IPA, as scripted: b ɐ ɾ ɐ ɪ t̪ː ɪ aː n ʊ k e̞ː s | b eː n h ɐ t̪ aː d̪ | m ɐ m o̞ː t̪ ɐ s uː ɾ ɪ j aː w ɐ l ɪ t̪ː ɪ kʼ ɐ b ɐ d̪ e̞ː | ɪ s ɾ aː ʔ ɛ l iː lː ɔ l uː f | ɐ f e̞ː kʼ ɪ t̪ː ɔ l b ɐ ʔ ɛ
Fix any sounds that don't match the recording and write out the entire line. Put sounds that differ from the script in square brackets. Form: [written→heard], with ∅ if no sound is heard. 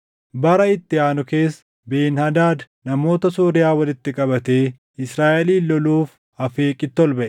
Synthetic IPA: b ɐ ɾ ɐ ɪ t̪ː ɪ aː n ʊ k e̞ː s | b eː n h ɐ [t̪→d̪] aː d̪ | [m→n] ɐ m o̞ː t̪ ɐ s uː ɾ ɪ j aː w ɐ l ɪ t̪ː ɪ kʼ ɐ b ɐ [d̪→t̪] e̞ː | ɪ s ɾ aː ʔ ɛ l iː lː ɔ l uː f | ɐ f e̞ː kʼ ɪ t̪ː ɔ l b ɐ ʔ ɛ